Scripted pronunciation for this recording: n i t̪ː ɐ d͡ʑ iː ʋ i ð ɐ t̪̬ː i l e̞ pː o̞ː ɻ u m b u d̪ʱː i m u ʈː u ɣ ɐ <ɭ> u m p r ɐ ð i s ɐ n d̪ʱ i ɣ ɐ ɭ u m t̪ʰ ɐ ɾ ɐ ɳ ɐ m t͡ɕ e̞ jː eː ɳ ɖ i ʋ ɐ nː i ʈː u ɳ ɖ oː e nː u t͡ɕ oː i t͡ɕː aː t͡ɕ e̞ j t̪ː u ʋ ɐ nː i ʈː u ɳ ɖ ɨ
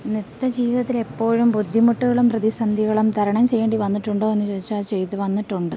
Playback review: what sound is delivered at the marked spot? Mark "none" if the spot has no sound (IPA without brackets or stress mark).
ɭ